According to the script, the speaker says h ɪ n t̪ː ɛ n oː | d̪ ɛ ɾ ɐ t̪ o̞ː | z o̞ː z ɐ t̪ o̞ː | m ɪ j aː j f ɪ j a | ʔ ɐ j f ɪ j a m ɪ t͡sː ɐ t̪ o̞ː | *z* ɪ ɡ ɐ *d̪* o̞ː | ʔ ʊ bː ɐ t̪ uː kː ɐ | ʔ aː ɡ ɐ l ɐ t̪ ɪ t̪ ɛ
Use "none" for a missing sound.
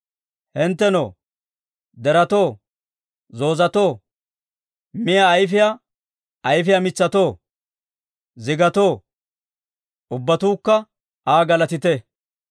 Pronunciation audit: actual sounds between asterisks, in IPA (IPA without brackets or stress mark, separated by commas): z, t̪